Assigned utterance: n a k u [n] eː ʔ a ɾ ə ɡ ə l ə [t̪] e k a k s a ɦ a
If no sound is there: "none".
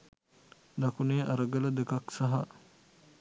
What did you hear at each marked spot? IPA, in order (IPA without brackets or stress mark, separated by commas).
n, d̪